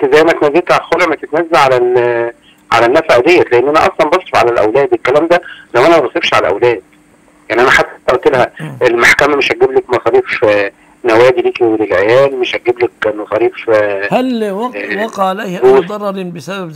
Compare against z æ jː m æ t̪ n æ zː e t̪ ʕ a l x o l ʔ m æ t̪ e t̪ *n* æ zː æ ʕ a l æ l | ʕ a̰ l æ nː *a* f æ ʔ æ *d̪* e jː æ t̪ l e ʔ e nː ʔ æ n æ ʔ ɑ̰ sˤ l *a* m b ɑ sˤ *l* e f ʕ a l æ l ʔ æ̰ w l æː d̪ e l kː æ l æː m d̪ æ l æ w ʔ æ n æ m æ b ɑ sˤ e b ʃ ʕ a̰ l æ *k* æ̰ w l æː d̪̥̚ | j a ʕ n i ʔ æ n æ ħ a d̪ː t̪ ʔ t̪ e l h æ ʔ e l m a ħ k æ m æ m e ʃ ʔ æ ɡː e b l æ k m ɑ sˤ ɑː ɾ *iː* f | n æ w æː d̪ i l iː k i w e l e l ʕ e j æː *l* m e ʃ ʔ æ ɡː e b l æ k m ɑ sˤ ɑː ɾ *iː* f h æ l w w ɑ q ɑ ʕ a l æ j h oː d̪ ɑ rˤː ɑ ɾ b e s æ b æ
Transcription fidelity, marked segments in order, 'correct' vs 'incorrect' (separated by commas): correct, incorrect, correct, incorrect, incorrect, incorrect, correct, correct, correct